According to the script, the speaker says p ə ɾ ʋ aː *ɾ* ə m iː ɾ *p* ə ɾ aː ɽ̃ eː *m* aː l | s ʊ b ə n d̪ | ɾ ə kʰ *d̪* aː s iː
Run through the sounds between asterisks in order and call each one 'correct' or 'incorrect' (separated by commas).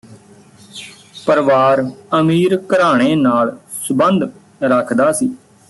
correct, incorrect, incorrect, correct